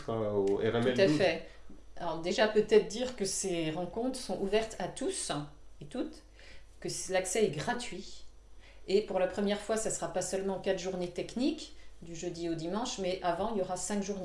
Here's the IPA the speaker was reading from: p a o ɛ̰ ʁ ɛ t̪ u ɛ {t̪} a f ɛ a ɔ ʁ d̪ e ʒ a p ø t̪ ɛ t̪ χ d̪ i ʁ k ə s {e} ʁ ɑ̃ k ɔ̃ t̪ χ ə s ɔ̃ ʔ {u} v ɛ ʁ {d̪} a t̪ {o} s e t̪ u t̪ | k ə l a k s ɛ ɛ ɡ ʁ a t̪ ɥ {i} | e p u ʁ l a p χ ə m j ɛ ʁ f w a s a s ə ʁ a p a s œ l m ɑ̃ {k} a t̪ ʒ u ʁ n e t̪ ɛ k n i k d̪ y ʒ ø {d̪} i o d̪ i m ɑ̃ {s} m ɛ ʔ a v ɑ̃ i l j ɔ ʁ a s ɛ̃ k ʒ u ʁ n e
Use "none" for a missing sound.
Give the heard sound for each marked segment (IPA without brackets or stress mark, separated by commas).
t̪, e, u, t̪, u, i, k, d̪, ʃ